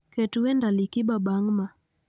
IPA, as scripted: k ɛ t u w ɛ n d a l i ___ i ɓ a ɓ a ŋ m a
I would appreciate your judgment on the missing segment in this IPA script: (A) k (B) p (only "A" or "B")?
A